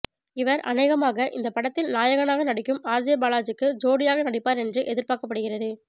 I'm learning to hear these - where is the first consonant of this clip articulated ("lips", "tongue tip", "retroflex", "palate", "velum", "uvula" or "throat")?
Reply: lips